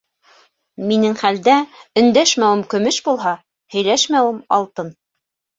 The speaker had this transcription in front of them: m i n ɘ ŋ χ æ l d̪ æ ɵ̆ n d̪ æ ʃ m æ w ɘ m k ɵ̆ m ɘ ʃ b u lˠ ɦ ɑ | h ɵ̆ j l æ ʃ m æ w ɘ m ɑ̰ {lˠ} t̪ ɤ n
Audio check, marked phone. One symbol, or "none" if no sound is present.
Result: lˠ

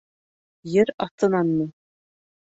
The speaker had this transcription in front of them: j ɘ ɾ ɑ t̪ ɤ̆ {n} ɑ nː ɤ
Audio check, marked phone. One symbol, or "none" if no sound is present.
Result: n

